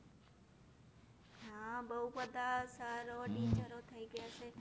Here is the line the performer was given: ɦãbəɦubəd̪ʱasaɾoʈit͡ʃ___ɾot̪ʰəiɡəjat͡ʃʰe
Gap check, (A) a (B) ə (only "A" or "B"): B